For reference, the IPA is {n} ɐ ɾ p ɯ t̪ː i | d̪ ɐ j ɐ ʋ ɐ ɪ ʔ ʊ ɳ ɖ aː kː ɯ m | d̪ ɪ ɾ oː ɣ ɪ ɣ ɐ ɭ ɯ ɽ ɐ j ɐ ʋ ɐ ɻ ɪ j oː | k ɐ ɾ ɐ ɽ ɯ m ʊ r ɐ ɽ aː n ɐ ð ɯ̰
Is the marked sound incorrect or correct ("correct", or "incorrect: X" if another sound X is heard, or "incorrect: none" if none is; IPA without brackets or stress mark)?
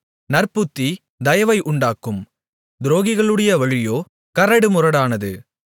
correct